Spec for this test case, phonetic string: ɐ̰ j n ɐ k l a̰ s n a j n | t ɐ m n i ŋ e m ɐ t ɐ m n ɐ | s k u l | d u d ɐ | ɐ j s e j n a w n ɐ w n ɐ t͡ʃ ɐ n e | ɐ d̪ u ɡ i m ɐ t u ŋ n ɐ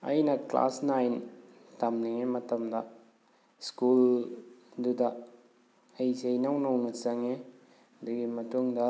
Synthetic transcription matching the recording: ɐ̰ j n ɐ k l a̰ s n a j n | t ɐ m n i ŋ e m ɐ t ɐ m d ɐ | s k u l | d u d ɐ | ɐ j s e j n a w n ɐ w n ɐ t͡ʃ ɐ ŋ e | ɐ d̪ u ɡ i m ɐ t u ŋ d ɐ